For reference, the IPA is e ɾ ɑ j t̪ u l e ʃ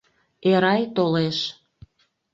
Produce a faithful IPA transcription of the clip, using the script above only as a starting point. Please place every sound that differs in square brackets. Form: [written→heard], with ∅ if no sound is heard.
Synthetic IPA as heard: e ɾ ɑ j t̪ [u→o] l e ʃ